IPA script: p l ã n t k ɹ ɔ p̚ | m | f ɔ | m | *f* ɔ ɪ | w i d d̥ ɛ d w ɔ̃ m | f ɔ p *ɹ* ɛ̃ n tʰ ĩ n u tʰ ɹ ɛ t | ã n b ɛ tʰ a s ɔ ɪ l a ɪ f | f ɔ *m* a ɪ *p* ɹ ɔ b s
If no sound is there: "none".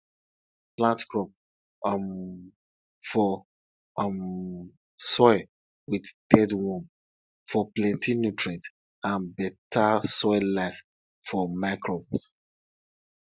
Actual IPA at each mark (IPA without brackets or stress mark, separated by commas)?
s, l, m, k